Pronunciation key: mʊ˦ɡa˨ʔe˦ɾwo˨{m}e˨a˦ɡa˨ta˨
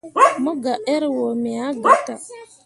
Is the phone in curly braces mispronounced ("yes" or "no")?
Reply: no